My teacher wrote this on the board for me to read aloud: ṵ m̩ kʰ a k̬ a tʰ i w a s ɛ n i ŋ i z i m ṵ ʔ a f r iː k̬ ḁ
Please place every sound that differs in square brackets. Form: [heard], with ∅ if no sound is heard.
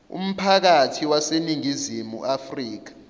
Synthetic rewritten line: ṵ m̩ [pʰ] a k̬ a tʰ i w a s [e] n i ŋ i z i m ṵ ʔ a f r iː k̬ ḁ